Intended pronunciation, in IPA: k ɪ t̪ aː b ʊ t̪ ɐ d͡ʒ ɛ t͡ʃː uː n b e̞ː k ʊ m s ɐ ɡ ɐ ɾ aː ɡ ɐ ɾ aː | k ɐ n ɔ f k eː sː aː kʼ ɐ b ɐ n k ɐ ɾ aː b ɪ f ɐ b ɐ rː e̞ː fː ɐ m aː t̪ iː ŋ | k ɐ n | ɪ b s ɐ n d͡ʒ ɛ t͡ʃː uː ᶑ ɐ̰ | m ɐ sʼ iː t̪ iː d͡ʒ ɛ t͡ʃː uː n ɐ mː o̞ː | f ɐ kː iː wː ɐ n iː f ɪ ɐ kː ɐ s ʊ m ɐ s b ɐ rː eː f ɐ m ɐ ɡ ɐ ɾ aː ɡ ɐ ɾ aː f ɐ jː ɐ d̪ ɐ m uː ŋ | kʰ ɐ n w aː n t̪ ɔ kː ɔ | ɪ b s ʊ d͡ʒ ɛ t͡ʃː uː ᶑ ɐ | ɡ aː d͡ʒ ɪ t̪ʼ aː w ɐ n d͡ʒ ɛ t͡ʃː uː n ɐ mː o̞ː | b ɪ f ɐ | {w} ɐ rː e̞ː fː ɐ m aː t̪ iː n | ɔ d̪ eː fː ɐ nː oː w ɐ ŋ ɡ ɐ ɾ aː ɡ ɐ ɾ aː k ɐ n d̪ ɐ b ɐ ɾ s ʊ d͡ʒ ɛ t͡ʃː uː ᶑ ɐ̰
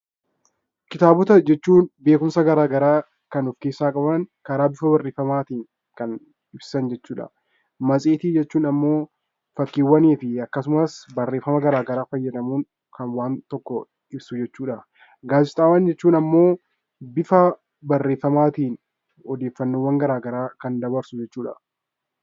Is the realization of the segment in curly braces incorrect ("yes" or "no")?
yes